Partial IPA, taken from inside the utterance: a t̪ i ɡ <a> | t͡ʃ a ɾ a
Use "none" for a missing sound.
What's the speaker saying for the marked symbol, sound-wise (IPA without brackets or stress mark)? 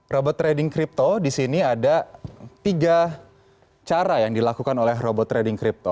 a